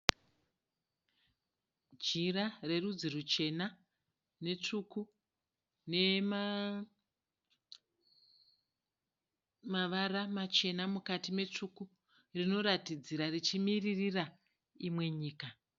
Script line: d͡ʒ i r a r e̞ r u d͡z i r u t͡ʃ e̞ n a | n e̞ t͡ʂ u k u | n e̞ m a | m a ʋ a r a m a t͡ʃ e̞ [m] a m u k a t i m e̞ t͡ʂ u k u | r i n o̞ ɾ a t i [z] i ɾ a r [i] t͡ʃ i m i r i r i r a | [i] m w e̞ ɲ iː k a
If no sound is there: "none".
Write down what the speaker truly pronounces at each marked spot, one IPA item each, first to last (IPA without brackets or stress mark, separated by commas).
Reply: n, d͡z, i, i